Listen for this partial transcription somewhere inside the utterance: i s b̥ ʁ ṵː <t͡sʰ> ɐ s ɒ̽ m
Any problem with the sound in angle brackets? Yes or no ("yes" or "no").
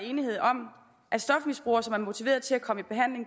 yes